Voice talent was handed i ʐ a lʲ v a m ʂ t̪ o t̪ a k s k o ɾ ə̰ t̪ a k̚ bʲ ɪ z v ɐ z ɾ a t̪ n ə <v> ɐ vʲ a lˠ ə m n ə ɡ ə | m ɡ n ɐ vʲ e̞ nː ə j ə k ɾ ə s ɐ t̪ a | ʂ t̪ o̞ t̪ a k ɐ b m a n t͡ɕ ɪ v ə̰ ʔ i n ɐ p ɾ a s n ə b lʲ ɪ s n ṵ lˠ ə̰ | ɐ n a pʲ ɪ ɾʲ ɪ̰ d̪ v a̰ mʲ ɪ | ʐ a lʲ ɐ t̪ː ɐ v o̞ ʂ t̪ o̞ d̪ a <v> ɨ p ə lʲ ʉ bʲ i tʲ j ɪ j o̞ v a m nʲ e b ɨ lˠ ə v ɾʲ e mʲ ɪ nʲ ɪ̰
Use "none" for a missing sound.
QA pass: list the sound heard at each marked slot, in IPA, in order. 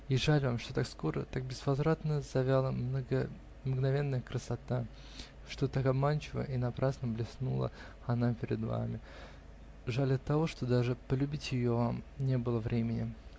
z, ʐ

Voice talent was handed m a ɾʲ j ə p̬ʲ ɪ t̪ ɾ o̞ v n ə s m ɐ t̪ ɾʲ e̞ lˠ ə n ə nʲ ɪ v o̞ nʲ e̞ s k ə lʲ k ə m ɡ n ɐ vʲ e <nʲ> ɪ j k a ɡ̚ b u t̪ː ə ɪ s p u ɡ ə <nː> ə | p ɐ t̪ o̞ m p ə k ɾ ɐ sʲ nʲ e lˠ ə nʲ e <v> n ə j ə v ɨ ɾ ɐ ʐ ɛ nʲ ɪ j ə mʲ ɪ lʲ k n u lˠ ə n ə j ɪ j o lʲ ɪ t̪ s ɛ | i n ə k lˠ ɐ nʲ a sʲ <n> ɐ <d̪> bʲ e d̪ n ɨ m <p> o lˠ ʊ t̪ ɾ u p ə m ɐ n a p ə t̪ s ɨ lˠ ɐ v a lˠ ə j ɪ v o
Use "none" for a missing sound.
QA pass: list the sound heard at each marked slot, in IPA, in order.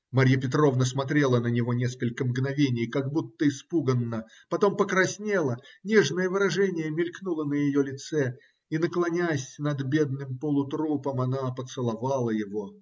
nʲ, nː, ʐ, n, d̪, p

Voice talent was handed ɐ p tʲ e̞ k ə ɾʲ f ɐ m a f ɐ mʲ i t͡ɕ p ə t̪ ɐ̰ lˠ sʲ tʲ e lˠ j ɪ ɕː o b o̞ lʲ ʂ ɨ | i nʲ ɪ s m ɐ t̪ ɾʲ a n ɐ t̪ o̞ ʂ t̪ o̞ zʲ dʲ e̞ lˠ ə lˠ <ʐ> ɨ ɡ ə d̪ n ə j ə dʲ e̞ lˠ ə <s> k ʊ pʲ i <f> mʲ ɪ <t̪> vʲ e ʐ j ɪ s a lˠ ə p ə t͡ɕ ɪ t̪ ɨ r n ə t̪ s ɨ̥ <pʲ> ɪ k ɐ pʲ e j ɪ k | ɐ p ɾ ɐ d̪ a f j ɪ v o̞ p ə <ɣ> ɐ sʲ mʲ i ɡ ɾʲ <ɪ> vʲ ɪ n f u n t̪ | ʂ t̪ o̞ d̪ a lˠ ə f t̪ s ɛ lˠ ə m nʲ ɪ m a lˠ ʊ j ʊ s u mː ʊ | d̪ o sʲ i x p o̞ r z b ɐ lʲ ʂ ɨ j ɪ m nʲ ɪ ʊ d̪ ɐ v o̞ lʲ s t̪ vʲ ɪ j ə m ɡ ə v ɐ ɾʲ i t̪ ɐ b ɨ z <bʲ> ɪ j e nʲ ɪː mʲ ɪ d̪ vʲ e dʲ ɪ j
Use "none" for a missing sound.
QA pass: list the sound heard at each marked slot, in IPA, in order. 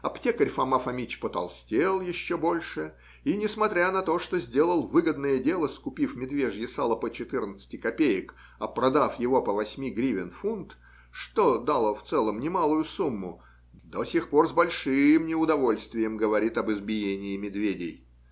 v, s, f, d̪, tʲ, v, i, bʲ

